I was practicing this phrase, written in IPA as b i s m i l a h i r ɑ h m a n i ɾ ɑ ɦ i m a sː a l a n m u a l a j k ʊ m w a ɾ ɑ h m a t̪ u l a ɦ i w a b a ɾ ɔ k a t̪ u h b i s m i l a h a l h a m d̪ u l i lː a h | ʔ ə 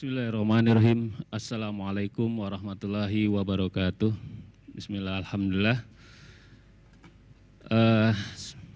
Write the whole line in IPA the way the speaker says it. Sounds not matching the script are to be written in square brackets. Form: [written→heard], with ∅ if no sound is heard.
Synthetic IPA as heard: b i s m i l a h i r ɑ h m a n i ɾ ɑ ɦ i m a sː a l a [n→∅] m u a l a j k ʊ m w a ɾ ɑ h m a t̪ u l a ɦ i w a b a ɾ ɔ k a t̪ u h b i s m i l a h a l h a m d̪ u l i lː a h | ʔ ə